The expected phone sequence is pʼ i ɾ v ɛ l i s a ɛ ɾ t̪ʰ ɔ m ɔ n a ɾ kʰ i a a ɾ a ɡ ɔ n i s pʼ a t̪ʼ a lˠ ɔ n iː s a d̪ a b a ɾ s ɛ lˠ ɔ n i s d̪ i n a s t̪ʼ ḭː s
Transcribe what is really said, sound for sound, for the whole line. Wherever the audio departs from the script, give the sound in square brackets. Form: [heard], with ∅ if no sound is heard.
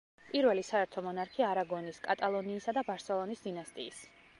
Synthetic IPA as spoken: pʼ i ɾ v ɛ l i s a ɛ ɾ t̪ʰ ɔ m ɔ n a ɾ kʰ i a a ɾ a ɡ ɔ n i s [kʼ] a t̪ʼ a lˠ ɔ n iː s a d̪ a b a ɾ s ɛ lˠ ɔ n i s d̪ i n a s t̪ʼ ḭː s